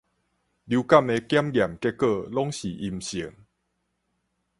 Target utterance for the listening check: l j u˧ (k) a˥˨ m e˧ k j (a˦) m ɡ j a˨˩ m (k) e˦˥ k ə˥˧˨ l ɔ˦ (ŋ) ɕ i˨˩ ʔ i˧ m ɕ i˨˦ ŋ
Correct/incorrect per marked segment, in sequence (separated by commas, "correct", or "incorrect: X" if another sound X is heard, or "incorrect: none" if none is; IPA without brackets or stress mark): correct, correct, correct, correct